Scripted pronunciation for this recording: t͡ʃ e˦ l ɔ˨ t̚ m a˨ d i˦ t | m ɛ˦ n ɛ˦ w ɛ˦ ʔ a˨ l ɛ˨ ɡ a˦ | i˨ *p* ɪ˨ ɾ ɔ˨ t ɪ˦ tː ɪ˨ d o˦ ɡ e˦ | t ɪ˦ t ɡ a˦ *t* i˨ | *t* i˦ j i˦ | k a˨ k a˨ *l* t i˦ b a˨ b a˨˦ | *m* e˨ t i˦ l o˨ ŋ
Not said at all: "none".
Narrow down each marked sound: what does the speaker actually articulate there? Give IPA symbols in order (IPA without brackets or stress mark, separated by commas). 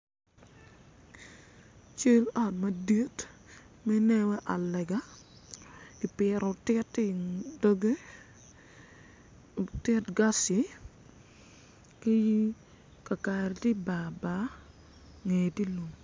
p, s, k, ɾ, ŋ